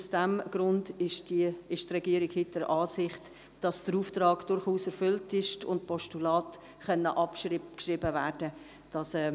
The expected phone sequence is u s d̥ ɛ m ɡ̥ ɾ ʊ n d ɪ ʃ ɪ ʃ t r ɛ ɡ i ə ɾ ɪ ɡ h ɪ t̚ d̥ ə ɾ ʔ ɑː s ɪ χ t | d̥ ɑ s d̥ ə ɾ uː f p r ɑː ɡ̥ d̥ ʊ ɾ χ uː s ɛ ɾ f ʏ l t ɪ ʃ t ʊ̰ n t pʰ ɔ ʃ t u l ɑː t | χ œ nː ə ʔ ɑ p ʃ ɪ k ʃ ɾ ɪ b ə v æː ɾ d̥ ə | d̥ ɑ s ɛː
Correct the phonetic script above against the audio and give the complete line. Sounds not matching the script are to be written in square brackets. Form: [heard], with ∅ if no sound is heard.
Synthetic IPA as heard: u s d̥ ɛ m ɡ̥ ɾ ʊ n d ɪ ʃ ɪ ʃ t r ɛ ɡ i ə ɾ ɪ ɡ h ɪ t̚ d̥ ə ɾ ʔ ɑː s ɪ χ t | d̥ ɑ s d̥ ə ɾ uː f [t] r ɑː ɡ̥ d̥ ʊ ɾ χ uː s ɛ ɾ f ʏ l t ɪ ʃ t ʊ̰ n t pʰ ɔ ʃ t u l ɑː t | χ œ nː ə ʔ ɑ p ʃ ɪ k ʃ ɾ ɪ b ə v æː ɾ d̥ ə | d̥ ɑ s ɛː